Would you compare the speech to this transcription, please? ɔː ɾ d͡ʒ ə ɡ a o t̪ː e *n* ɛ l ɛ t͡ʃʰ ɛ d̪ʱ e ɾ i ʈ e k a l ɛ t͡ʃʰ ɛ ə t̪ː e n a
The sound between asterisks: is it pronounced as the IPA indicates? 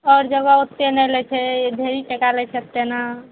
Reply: yes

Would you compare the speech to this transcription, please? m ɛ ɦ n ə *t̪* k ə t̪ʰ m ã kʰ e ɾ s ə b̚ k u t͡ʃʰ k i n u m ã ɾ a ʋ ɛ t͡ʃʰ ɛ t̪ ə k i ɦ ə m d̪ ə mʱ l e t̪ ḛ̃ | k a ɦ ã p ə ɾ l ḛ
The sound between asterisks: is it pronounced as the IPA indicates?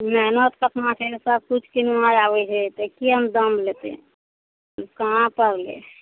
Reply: yes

